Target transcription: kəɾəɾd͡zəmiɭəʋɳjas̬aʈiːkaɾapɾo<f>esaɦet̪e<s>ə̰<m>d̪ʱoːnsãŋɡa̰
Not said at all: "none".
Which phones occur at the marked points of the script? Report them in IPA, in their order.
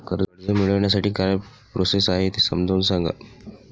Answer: s, s, m

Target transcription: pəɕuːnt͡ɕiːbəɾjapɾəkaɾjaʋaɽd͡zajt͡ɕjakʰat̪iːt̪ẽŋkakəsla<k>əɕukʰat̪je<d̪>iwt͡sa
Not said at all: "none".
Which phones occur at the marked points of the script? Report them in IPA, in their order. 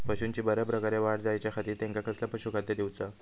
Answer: p, d̪

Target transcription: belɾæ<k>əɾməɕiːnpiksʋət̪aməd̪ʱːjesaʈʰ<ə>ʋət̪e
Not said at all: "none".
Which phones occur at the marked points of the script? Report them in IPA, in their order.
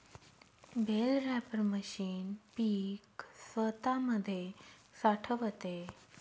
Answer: p, ə

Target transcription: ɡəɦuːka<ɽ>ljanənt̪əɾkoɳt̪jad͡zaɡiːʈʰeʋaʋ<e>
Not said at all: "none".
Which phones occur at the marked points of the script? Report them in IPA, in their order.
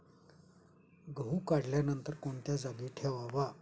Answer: ɽ, a

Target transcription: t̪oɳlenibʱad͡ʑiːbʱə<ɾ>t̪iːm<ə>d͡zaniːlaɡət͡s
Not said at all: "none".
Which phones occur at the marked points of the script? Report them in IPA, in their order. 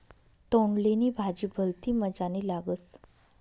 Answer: l, ə

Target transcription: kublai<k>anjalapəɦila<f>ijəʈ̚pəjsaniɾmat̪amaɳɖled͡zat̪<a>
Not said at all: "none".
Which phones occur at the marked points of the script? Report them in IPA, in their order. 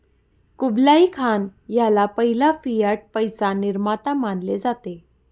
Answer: kʰ, f, e

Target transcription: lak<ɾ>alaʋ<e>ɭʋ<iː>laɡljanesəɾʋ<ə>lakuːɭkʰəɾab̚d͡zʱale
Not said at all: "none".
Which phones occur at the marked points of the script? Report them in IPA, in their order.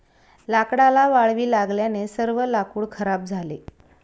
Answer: ɽ, a, iː, ə

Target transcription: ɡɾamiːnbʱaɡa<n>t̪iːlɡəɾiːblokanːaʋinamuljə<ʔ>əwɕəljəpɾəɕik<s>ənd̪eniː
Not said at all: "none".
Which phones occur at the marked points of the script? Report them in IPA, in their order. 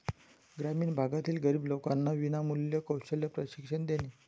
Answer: none, k, ʂ

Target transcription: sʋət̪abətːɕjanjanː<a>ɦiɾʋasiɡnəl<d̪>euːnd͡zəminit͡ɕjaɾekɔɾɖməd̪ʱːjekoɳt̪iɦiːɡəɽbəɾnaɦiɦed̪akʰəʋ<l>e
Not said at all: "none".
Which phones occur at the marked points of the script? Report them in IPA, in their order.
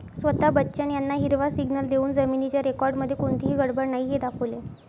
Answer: a, d̪, l

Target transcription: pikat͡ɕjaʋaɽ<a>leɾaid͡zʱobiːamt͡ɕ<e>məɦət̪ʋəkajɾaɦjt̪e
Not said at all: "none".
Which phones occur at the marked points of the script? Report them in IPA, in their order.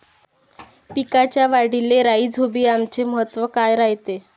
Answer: i, e

